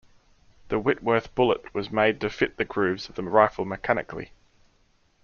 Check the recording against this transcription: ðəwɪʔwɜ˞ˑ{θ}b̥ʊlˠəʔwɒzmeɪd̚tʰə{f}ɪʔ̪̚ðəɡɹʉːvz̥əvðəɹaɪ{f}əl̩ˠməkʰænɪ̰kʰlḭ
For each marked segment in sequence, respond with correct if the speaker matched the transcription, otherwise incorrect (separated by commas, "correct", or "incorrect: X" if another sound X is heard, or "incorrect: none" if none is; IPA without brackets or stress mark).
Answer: correct, correct, correct